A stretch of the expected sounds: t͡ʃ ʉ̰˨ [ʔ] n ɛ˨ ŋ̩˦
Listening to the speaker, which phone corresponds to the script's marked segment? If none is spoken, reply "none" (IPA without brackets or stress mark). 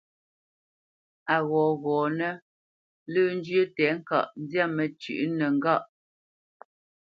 ʔ